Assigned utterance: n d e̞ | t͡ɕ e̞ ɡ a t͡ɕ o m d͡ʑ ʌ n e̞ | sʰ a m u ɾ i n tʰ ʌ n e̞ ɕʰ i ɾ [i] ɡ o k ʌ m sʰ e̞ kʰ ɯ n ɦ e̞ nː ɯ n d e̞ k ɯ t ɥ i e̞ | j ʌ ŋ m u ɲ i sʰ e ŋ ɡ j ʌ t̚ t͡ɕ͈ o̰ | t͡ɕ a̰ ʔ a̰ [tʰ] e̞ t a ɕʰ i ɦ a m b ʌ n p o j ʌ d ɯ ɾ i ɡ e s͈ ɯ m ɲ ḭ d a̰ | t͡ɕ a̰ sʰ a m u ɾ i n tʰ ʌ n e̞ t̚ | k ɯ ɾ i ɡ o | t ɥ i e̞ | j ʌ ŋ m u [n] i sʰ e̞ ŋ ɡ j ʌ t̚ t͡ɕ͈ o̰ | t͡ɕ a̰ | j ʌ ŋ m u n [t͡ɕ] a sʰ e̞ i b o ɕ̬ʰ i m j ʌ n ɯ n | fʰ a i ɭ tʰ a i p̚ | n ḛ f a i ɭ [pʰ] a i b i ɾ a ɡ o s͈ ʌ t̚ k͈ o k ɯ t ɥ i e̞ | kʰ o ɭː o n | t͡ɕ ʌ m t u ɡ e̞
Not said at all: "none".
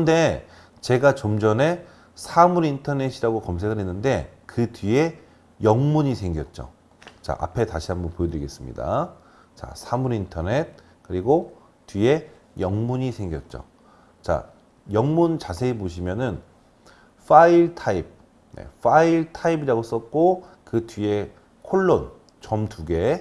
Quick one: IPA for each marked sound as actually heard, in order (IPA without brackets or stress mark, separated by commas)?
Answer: a, pʰ, ɲ, t͡ɕ, tʰ